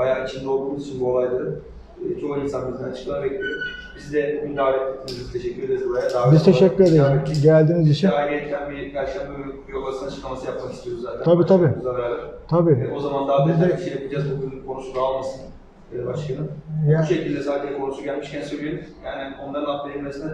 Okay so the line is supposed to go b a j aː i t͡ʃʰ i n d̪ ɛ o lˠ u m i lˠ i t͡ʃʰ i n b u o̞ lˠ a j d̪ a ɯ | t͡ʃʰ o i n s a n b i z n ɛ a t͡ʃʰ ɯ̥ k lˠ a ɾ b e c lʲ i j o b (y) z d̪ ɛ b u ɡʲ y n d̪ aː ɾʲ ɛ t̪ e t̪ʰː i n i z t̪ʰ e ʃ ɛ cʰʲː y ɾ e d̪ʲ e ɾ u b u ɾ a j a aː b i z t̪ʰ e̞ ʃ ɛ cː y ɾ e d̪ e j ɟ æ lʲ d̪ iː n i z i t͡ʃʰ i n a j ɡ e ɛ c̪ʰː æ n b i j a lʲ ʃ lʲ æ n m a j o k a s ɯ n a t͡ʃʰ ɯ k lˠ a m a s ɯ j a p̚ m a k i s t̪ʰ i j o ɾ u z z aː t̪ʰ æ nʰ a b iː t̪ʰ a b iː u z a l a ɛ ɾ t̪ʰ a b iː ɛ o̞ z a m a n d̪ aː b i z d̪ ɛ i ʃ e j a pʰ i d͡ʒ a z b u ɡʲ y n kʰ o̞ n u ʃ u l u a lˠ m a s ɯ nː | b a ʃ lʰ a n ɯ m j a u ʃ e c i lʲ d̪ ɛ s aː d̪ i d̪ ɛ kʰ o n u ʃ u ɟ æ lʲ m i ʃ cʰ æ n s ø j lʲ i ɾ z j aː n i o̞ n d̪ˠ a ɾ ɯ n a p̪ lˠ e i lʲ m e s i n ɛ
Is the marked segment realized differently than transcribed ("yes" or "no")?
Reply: yes